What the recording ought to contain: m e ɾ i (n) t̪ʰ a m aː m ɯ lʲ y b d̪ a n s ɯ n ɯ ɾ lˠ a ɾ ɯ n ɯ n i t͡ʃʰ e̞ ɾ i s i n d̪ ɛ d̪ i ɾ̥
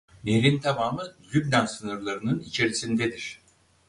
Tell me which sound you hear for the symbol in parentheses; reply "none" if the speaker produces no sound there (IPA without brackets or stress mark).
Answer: n